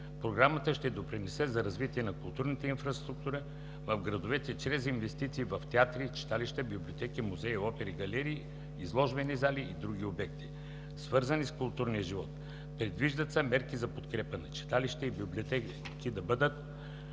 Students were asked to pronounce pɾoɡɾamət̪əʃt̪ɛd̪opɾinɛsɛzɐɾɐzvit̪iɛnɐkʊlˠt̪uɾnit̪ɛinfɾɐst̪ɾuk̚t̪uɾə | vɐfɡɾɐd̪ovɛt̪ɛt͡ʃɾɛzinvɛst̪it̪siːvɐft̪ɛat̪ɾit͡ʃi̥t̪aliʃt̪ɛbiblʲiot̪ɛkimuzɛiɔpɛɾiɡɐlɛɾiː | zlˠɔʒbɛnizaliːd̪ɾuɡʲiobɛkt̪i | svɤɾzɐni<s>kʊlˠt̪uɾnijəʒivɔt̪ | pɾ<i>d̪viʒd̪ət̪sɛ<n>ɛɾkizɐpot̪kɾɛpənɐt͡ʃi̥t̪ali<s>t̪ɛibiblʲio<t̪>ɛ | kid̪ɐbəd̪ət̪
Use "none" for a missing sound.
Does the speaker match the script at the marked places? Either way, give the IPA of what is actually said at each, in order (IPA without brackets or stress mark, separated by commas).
s, ɛ, m, ʃ, t̪